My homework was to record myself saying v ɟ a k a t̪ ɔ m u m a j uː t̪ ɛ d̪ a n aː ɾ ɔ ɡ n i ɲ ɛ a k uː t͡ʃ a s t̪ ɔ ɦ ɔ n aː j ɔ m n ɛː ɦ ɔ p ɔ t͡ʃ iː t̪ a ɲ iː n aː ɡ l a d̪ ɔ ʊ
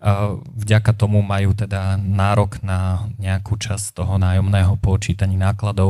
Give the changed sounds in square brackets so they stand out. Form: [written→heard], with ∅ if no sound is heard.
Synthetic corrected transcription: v ɟ a k a t̪ ɔ m u m a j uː t̪ ɛ d̪ a n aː ɾ ɔ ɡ n [i→a] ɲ ɛ a k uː t͡ʃ a s t̪ ɔ ɦ ɔ n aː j ɔ m n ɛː ɦ ɔ p ɔ t͡ʃ iː t̪ a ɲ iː n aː [ɡ→k] l a d̪ ɔ ʊ